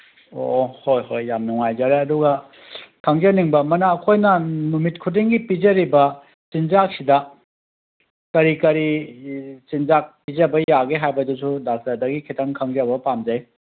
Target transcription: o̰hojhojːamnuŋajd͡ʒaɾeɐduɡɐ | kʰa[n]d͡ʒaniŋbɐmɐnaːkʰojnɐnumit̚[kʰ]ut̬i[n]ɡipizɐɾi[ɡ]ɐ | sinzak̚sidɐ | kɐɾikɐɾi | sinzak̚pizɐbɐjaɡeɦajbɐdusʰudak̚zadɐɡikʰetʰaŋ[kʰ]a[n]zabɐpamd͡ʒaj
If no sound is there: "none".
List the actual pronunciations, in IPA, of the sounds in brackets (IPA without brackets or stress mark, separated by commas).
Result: ŋ, kʰ, ŋ, b, kʰ, ŋ